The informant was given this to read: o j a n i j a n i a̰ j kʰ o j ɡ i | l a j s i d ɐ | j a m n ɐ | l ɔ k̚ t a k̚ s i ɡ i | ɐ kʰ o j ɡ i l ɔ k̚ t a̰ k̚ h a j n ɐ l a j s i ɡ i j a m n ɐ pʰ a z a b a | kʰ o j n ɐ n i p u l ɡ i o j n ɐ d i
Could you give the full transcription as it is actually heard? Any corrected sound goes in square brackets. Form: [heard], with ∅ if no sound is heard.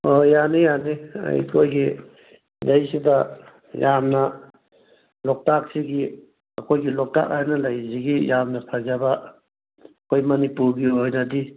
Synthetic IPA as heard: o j a n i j a n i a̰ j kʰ o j ɡ i | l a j s i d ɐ | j a m n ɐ | l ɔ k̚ t a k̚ s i ɡ i | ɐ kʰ o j ɡ i l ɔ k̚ t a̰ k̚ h a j n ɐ l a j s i ɡ i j a m n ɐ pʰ a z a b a | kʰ o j [m] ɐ n i p u [ɾ] ɡ i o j n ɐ d i